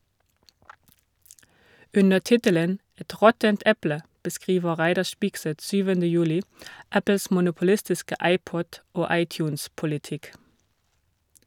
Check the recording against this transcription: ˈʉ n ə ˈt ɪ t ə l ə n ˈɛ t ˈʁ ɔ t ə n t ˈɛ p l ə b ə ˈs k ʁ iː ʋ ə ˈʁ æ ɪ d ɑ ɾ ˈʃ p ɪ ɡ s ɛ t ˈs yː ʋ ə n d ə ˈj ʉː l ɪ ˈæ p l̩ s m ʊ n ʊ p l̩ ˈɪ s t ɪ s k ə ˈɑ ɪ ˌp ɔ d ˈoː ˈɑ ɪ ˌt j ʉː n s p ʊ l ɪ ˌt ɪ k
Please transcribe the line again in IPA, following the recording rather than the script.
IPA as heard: ˈʉ n ə ˈt ɪ t ə l ə n ˈɛ t ˈʁ ɔ t ə n t ˈɛ p l ə b ə ˈs k ʁ iː ʋ ə ˈʁ æ ɪ d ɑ ɾ ˈʃ p ɪ ɡ s ɛ t ˈs yː ʋ ə n d ə ˈj ʉː l ɪ ˈæ p l̩ s m ʊ n ʊ p l̩ ˈɪ s t ɪ s k ə ˈɑ ɪ ˌp ɔ d ˈoː ˈɑ ɪ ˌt j ʉː n s p ʊ l ɪ ˌt ɪ k

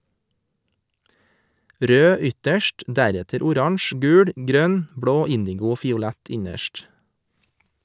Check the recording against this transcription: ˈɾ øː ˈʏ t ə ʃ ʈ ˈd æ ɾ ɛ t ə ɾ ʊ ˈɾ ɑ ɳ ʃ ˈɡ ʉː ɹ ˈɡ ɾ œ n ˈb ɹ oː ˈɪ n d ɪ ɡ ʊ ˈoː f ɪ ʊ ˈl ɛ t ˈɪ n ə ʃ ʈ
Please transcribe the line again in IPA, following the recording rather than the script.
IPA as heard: ˈɾ øː ˈʏ t ə ʃ ʈ ˈd æ ɾ ɛ t ə ɾ ʊ ˈɾ ɑ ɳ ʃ ˈɡ ʉː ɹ ˈɡ ɾ œ n ˈb ɹ oː ˈɪ n d ɪ ɡ ʊ ˈoː f ɪ ʊ ˈl ɛ t ˈɪ ɲ ə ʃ ʈ

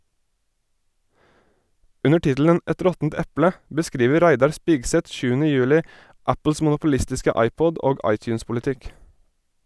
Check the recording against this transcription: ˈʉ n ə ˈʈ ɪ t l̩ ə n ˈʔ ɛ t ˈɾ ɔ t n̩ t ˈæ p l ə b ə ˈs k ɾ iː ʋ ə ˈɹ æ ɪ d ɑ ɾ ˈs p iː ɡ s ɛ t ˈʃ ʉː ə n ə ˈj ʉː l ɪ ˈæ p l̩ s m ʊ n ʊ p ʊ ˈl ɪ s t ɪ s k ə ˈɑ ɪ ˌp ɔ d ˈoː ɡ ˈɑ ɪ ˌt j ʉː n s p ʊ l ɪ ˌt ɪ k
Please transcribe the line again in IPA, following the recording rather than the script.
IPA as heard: ˈʉ n ə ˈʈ ɪ t l̩ ə n ˈʔ ɛ t ˈɾ ɔ t n̩ t ˈɛ p l ə b ə ˈs k ɾ iː ʋ ə ˈɾ æ ɪ d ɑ ɾ ˈs p iː ɡ s ɛ t ˈʃ ʉː ə n ə ˈj ʉː l ɪ ˈæ p l̩ s m ʊ n ʊ p ʊ ˈl ɪ s t ɪ s k ə ˈɑ ɪ ˌp ɔ d ˈoː ɡ ˈɑ ɪ ˌt j ʉː n s p ʊ l ɪ ˌt ɪ k

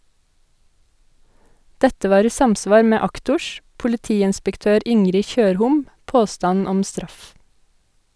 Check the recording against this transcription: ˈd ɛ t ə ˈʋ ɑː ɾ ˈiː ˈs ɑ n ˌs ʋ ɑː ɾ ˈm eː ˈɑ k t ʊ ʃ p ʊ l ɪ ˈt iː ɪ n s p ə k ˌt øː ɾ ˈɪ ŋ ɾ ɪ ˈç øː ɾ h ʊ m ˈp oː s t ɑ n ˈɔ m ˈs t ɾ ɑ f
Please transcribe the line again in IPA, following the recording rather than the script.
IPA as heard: ˈd ɛ t ə ˈʋ ɑː ɾ ˈiː ˈs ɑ m ˌs ʋ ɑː ɾ ˈm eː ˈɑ k t ʊ ʃ p ʊ l ɪ ˈt iː ɪ n s p ə k ˌt øː ɾ ˈɪ ŋ ɾ ɪ ˈç øː ɾ h ʊ m ˈp oː s t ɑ n ˈɔ m ˈs t ɾ ɑ f

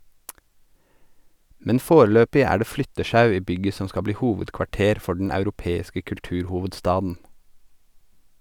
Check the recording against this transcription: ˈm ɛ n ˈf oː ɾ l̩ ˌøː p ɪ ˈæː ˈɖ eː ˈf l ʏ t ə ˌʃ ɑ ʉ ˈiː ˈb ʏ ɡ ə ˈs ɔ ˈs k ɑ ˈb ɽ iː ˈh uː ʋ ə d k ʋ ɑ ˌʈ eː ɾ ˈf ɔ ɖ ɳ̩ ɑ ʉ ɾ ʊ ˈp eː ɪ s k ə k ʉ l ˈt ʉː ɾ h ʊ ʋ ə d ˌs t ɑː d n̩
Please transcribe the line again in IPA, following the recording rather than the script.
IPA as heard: ˈm ɛ n ˈf oː ɾ l̩ ˌøː p ɪ ˈæː ˈɖ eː ˈf l ʏ t ə ˌʃ ɑ ʉ ˈiː ˈb ʏ ɡ ə ˈs ɔ ˈs k ɑ ˈb l iː ˈh uː ʋ ə d k ʋ ɑ ˌʈ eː ɾ ˈf ɔ ɖ ɳ̩ ɑ ʉ ɾ ʊ ˈp eː ɪ s k ə k ʉ l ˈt ʉː ɾ h ʊ ʋ ə d ˌs t ɑː d n̩

